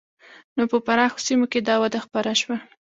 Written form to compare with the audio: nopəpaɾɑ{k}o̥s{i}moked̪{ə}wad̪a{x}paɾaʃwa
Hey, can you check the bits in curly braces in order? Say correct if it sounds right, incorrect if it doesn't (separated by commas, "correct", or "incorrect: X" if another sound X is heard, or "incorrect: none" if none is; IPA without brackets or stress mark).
incorrect: x, correct, incorrect: ɑ, correct